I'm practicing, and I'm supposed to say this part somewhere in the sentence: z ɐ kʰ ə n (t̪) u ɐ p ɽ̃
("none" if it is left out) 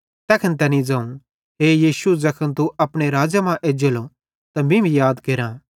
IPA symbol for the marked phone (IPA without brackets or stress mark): t̪